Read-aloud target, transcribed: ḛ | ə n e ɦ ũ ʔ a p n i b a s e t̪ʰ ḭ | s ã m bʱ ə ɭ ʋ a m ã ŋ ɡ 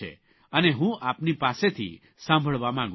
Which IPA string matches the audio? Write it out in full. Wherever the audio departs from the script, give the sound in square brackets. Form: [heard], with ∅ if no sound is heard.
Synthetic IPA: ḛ | ə n e ɦ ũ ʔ a p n i [p] a s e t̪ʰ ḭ | s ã m bʱ ə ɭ ʋ a m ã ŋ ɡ